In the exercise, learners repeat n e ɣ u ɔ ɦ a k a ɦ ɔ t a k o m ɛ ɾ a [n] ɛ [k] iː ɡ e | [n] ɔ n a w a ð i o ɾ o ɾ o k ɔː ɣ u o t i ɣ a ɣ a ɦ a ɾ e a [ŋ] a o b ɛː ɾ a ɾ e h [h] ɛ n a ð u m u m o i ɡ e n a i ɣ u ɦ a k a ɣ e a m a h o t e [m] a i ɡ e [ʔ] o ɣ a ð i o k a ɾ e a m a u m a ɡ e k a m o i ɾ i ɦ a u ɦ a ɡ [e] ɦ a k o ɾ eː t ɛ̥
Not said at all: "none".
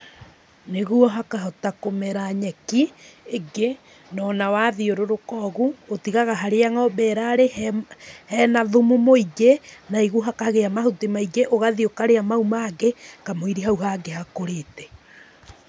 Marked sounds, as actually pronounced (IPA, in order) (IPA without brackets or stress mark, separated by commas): ɲ, k, n, ŋ, h, m, ʔ, e